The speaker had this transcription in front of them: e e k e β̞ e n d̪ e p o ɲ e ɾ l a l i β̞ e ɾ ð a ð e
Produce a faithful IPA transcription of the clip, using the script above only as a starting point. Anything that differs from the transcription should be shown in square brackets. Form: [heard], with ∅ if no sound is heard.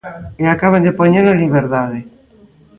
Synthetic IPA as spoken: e [a] k [a] β̞ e n d̪ e p o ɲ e ɾ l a l i β̞ e ɾ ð a ð e